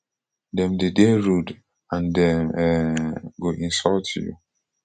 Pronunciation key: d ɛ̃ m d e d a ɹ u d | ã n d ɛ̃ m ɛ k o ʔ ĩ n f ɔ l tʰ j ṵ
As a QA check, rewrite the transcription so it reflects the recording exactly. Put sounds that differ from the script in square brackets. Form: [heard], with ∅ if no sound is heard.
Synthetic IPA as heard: d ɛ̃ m d e d [e] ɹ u d | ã n d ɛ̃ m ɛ [ɡ] o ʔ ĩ n [s] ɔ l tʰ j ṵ